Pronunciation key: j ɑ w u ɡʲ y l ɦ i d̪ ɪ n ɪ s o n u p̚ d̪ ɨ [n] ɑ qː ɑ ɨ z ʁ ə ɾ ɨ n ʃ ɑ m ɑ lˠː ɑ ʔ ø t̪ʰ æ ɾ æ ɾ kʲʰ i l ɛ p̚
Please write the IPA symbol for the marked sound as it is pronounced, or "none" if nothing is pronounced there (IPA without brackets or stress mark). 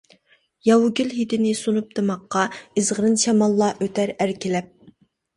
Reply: m